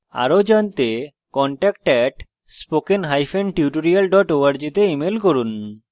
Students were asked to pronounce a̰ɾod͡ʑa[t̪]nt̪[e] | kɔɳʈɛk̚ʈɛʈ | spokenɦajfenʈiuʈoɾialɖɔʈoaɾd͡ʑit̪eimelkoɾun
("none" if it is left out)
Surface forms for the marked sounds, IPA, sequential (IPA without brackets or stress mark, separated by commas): none, e